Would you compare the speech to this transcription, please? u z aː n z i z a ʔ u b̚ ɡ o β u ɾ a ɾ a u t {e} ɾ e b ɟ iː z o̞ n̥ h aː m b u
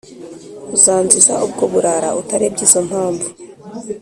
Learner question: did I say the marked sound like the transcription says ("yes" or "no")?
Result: no